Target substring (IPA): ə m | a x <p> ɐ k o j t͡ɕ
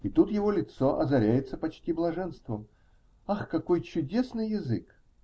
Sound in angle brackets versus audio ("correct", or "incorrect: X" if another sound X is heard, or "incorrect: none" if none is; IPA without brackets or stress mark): incorrect: k